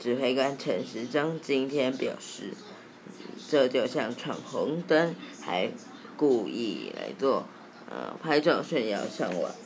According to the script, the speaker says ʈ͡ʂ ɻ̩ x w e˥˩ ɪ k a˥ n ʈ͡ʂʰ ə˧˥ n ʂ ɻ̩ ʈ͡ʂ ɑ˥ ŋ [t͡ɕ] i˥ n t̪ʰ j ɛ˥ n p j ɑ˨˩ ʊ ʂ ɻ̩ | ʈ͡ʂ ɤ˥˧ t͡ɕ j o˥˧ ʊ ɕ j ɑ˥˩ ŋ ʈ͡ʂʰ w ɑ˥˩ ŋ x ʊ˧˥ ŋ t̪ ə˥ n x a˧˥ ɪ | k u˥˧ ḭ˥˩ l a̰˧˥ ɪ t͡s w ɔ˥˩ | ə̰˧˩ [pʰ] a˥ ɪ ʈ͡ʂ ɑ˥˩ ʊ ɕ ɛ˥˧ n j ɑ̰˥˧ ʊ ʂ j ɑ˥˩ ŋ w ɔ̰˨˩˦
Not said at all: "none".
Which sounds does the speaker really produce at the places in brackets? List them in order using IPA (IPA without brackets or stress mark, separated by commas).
t͡ɕ, pʰ